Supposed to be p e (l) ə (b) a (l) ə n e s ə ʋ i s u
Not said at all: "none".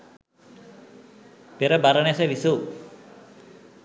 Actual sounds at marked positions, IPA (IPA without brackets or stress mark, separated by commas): ɾ, b, ɾ